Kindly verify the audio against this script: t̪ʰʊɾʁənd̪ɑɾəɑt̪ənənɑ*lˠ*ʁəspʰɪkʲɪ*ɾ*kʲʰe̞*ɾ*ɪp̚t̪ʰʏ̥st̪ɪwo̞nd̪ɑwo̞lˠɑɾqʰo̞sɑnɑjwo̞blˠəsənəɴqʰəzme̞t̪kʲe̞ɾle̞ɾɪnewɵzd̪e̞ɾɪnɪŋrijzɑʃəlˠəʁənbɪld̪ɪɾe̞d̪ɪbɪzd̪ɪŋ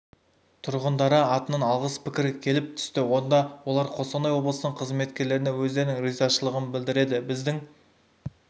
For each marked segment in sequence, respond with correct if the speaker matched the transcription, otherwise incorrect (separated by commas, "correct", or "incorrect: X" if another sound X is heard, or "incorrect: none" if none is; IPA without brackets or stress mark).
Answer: correct, correct, incorrect: l